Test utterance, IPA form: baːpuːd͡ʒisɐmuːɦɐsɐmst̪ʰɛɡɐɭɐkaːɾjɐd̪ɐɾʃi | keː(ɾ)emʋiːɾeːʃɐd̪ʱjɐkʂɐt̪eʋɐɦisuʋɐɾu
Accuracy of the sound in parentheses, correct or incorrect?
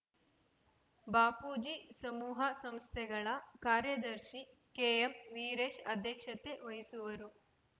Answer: incorrect